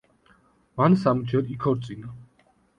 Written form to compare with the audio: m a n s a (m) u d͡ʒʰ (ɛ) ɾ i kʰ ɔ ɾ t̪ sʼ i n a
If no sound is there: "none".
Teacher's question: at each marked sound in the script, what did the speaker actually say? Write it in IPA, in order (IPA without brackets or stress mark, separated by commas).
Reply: m, ɛ